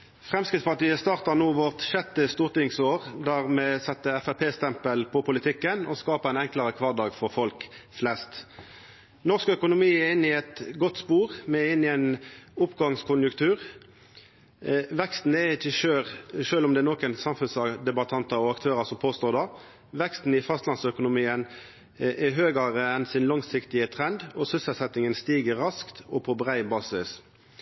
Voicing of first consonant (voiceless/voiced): voiceless